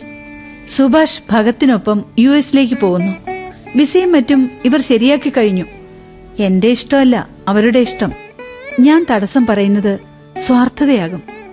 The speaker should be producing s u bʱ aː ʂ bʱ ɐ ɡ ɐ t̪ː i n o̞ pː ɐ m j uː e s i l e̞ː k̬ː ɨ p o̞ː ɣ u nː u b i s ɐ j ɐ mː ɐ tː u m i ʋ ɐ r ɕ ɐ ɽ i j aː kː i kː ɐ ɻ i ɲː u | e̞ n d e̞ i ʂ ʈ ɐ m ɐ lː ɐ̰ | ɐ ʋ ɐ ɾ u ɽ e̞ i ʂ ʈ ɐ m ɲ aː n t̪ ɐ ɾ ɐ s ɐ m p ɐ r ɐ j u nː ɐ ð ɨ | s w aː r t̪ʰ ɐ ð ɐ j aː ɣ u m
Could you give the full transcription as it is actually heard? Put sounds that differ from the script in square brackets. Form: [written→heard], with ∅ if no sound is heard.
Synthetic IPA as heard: s u bʱ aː ʂ bʱ ɐ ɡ ɐ t̪ː i n o̞ pː ɐ m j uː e s i l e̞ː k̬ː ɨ p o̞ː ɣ u nː u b i s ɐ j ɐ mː ɐ tː u m i ʋ ɐ r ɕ ɐ [ɽ→ɾ] i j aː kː i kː ɐ ɻ i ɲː u | e̞ n d e̞ i ʂ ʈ ɐ m ɐ lː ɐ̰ | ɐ ʋ ɐ ɾ u ɽ e̞ i ʂ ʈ ɐ m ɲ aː n t̪ ɐ [ɾ→ɽ] ɐ s ɐ m p ɐ r ɐ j u nː ɐ ð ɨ | s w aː r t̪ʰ ɐ ð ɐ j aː ɣ u m